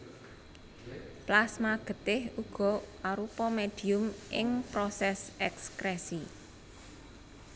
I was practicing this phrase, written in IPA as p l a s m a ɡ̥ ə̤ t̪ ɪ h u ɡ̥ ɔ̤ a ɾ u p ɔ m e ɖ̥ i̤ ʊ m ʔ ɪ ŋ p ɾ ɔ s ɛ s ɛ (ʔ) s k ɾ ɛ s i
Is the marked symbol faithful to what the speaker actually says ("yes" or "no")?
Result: no